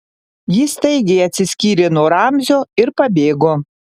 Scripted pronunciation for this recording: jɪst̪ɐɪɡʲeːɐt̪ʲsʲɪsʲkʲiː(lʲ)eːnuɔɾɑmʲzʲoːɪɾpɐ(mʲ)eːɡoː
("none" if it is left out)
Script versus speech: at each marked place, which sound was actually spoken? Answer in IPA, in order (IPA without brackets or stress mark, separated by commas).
ɾʲ, bʲ